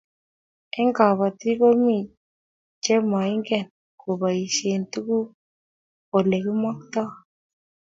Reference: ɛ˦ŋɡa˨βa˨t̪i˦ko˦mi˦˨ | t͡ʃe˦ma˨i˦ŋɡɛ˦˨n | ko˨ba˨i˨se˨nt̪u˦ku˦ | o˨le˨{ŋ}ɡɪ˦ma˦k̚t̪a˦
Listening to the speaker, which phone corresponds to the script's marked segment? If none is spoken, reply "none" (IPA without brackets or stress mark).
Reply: none